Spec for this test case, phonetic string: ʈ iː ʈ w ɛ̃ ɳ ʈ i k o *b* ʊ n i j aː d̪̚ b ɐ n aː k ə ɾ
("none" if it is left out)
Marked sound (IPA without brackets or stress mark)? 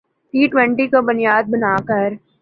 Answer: b